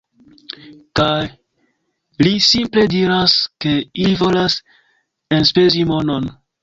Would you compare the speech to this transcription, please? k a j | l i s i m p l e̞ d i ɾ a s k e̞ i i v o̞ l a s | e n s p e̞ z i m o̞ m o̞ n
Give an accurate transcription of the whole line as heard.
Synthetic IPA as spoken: k a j | l i s i m p l e̞ d i ɾ a s k e̞ i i v o̞ l a s | e n s p e̞ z i m o̞ n o̞ n